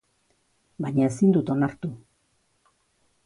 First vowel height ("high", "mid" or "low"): low